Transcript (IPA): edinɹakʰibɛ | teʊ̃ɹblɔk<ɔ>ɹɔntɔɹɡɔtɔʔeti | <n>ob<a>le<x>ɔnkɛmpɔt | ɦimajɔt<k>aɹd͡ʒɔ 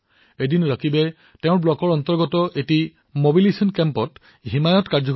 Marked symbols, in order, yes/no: yes, no, no, no, yes

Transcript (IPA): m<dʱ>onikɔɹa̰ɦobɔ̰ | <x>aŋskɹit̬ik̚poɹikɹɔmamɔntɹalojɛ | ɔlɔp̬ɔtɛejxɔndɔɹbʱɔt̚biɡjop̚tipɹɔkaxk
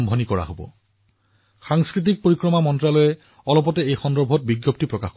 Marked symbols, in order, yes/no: no, yes

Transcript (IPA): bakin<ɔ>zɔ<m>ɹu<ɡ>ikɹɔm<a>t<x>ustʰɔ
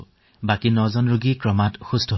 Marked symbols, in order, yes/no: yes, no, yes, yes, yes

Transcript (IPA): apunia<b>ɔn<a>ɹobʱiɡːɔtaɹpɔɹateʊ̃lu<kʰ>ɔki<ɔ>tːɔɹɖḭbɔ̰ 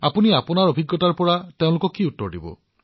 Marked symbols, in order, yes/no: no, yes, no, no

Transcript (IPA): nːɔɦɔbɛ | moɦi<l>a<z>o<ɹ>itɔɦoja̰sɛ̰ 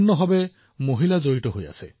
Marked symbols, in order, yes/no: yes, yes, yes

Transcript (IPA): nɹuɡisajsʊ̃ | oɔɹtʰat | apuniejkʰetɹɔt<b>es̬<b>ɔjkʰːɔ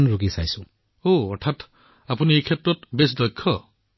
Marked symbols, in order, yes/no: yes, no

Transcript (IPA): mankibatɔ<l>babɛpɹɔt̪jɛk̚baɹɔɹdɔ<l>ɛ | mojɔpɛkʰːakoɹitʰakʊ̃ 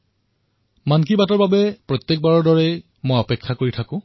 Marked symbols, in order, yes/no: no, no

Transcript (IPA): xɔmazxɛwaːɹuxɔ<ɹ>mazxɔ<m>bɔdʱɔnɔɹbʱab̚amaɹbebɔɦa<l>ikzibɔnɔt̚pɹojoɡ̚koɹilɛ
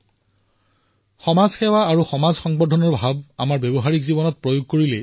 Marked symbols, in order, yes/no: no, no, no

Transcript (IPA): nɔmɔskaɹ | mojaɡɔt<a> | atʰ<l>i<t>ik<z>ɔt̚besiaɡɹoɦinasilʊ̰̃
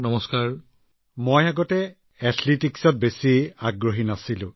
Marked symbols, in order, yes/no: no, yes, yes, no

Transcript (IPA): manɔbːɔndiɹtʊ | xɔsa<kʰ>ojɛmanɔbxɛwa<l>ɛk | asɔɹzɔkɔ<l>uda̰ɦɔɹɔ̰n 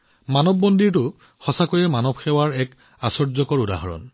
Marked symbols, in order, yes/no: no, no, no

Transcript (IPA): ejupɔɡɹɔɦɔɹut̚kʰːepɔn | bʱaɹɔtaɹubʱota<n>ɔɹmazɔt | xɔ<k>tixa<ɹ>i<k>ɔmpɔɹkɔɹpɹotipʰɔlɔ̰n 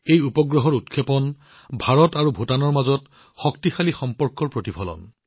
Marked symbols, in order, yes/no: yes, yes, no, no

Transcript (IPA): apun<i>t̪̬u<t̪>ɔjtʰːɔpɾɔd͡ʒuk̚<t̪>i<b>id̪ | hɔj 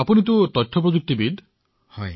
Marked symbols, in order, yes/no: yes, yes, yes, yes

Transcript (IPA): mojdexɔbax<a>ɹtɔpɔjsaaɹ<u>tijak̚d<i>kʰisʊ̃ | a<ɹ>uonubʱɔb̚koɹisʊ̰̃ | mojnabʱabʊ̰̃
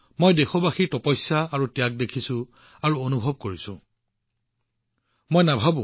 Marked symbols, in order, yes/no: no, yes, no, yes

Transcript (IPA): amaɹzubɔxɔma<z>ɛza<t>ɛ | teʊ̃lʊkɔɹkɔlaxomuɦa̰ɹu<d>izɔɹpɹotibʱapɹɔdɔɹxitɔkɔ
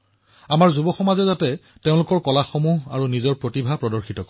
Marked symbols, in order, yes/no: yes, yes, no

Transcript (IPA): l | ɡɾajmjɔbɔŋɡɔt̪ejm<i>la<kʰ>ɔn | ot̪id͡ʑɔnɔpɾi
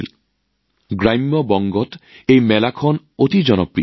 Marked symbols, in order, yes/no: no, yes

